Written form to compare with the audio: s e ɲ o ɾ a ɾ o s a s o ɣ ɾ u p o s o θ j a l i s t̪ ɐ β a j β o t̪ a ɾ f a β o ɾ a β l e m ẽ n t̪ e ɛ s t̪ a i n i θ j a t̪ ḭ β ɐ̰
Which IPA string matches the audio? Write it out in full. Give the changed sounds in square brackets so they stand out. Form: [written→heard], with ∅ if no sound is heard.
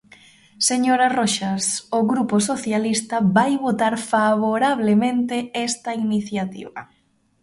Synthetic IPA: s e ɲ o ɾ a [ɾ→r] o [s→ʃ] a s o ɣ ɾ u p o s o θ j a l i s t̪ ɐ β a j β o t̪ a ɾ f a β o ɾ a β l e m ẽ n t̪ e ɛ s t̪ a i n i θ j a t̪ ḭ β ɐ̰